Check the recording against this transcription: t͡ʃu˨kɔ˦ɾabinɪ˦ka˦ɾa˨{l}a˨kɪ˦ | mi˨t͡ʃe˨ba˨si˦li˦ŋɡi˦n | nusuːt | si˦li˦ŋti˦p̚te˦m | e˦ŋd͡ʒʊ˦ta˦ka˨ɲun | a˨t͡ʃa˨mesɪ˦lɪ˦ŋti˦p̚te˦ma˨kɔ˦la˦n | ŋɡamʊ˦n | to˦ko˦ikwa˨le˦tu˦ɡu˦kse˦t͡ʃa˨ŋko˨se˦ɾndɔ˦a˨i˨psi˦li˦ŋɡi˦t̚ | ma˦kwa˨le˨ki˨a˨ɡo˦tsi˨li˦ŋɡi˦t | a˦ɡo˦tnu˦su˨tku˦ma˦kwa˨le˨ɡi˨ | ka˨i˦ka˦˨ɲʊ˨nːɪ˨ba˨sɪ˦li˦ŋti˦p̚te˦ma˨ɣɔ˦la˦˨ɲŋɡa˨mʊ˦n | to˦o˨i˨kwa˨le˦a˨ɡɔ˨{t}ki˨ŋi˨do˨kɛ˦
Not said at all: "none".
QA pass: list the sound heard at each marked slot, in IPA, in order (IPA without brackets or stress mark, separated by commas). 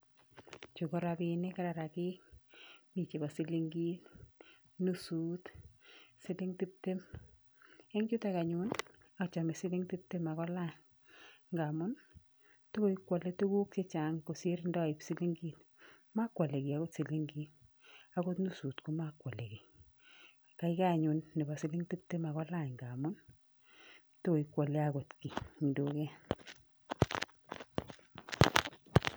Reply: ɾ, t